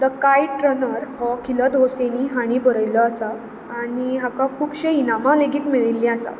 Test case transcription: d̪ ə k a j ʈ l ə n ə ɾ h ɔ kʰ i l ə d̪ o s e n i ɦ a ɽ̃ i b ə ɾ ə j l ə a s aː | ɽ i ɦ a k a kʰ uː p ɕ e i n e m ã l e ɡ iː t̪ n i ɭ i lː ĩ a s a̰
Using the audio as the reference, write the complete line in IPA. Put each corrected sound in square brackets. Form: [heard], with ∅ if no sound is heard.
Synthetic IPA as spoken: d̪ ə k a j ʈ [ɾ] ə n ə ɾ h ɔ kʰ i l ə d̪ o s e n i ɦ a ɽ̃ i b ə ɾ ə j l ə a s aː | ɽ i ɦ a k a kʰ uː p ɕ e i n [a] m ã l e ɡ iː t̪ [m] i ɭ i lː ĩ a s a̰